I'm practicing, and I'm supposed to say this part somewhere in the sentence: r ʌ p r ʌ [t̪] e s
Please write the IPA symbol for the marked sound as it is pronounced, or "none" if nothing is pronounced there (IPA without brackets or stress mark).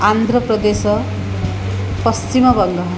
d̪